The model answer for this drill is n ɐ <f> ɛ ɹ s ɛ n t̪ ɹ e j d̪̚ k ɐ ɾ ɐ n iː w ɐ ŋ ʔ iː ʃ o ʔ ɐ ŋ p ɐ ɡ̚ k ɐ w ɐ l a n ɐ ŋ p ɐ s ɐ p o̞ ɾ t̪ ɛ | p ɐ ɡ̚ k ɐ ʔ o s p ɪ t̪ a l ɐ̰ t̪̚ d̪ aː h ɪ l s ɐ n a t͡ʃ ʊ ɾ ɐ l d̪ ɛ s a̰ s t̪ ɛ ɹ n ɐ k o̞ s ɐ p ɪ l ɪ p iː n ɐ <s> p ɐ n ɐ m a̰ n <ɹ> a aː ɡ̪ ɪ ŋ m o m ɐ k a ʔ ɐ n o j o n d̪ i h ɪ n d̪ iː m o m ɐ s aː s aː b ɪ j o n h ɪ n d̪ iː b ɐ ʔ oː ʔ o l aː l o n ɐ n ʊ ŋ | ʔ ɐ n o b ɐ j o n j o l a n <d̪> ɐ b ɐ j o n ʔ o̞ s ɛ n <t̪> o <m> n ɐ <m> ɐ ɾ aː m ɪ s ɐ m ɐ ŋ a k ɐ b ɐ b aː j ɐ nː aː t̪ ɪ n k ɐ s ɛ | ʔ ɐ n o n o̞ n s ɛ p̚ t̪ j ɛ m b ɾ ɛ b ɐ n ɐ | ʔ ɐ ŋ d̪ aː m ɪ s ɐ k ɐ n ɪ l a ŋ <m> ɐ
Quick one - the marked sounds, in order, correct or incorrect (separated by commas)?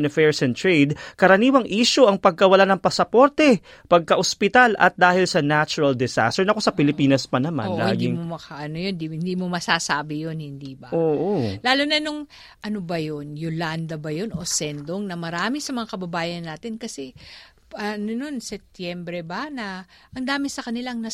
correct, correct, incorrect, correct, incorrect, incorrect, correct, incorrect